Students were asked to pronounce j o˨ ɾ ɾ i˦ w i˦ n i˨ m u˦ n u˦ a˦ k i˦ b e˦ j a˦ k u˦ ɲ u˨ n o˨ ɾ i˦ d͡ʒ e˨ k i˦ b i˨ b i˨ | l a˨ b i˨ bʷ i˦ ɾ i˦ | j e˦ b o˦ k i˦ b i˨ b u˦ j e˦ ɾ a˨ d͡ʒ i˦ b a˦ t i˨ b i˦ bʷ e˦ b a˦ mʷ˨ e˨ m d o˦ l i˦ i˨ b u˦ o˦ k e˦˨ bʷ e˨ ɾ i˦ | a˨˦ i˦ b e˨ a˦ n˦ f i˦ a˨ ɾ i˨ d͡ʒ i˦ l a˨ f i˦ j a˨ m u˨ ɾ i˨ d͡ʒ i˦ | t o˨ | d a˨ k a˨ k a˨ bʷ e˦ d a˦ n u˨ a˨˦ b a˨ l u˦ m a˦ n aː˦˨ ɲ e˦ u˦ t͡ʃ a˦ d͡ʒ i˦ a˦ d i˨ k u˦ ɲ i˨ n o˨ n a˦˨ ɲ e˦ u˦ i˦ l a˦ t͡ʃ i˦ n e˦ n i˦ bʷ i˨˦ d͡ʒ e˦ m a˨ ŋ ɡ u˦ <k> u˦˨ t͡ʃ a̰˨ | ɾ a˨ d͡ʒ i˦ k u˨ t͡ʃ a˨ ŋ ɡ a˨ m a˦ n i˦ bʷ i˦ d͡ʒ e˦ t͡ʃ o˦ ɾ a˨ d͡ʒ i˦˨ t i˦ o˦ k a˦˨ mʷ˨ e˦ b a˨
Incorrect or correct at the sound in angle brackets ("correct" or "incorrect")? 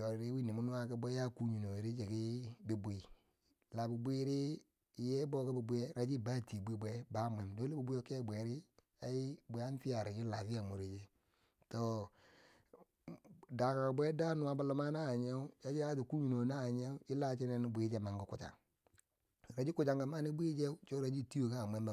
correct